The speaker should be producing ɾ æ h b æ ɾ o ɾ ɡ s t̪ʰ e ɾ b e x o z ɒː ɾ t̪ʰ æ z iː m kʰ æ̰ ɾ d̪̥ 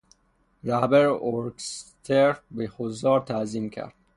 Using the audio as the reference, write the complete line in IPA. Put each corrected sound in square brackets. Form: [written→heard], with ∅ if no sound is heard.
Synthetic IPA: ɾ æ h b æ ɾ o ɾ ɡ s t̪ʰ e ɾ b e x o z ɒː ɾ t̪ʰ æ z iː m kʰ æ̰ ɾ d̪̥